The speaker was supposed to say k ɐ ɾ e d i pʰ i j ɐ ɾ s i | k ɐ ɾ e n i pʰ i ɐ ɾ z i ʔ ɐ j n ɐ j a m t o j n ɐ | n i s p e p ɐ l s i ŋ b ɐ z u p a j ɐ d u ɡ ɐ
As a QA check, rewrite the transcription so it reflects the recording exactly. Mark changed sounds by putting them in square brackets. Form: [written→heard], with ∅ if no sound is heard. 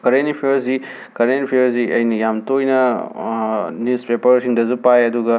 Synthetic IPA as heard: k ɐ ɾ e [d→n] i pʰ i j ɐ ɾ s i | k ɐ ɾ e n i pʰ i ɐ ɾ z i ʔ ɐ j n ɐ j a m t o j n ɐ | n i s p e p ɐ [l→ɾ] s i ŋ [b→d] ɐ z u p a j ɐ d u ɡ ɐ